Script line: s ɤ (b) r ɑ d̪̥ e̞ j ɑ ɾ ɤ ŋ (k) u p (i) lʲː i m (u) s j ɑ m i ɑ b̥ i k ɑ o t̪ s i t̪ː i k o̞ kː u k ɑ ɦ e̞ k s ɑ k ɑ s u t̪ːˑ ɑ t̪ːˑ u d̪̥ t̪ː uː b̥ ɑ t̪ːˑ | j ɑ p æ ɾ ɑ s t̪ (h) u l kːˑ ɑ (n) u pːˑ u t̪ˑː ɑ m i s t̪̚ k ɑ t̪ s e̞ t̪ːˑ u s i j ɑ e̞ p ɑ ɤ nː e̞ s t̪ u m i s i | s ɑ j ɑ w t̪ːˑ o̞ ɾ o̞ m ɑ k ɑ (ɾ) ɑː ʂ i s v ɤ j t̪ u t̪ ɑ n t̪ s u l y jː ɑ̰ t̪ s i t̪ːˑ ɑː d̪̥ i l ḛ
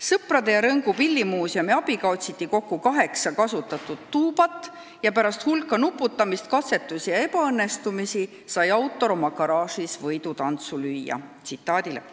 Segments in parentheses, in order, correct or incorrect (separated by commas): incorrect, incorrect, correct, incorrect, correct, correct, correct